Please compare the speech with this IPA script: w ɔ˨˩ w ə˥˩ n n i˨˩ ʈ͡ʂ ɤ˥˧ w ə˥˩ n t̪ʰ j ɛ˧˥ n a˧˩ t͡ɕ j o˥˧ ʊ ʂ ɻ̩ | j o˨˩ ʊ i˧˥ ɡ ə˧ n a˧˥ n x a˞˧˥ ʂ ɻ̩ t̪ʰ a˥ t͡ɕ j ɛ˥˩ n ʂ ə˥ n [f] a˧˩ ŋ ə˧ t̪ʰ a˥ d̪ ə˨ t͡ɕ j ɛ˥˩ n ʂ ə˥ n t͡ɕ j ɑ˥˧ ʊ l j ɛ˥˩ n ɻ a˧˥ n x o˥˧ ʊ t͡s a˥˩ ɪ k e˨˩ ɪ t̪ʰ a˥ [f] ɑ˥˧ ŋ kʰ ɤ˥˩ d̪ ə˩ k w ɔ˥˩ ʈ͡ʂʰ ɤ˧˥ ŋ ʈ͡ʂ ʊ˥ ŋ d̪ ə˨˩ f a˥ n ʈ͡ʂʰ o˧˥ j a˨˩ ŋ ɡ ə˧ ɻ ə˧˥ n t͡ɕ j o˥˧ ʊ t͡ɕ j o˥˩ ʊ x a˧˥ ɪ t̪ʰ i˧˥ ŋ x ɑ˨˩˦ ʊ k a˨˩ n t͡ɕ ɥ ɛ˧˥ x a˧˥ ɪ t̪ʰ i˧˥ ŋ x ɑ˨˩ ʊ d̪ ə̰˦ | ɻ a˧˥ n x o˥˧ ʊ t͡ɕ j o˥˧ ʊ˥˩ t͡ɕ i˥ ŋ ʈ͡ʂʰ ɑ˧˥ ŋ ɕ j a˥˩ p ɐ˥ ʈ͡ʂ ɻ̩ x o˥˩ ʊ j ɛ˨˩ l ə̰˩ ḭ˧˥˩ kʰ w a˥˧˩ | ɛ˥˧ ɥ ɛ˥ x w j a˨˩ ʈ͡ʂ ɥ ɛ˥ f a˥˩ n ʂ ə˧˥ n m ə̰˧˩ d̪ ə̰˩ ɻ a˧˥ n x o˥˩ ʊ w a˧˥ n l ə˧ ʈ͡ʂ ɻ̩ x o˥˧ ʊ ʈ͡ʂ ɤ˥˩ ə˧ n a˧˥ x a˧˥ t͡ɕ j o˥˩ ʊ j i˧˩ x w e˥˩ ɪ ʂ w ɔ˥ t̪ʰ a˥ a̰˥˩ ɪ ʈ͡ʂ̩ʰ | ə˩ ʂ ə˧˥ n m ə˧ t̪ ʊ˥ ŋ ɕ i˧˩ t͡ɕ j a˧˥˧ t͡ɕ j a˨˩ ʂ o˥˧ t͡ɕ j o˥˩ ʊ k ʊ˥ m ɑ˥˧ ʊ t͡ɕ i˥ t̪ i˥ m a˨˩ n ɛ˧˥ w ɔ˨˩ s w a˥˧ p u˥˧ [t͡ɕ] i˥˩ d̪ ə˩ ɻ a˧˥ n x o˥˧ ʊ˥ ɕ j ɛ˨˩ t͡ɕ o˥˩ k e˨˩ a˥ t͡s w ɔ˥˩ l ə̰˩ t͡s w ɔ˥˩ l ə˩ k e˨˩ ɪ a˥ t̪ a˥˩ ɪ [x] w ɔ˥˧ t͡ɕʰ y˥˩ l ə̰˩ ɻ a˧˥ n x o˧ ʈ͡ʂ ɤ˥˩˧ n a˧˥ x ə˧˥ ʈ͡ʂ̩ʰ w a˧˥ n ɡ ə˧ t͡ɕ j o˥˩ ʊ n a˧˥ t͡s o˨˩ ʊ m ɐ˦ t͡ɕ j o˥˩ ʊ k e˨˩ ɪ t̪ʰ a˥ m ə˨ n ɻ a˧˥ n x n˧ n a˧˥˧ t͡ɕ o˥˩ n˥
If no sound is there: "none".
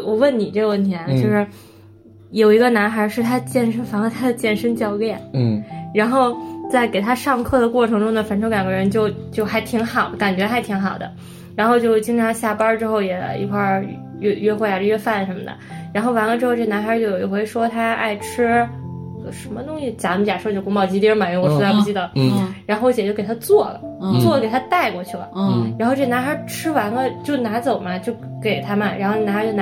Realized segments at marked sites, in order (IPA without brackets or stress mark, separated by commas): f, ʂ, t͡ɕ, k